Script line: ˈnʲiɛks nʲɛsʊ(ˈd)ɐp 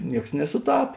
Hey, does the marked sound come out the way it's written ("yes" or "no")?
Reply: no